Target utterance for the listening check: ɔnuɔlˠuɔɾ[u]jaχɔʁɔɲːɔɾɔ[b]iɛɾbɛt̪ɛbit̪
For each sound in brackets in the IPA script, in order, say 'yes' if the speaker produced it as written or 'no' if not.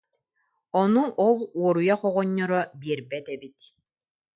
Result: yes, yes

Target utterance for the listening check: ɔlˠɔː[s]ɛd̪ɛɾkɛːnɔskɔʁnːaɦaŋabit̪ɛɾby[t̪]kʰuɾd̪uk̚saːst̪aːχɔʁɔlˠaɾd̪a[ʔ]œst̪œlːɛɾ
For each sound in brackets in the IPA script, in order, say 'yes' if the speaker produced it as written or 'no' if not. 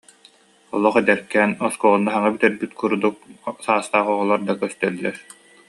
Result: no, yes, no

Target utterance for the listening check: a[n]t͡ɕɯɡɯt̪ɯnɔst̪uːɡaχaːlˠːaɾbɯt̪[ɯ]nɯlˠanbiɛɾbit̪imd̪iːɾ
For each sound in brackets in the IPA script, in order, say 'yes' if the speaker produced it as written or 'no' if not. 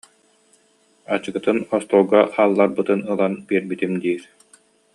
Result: no, yes

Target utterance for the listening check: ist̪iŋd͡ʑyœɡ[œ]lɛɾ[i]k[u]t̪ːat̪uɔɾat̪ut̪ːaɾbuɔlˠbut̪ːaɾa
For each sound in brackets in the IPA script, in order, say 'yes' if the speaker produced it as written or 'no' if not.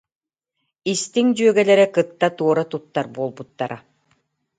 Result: no, no, no

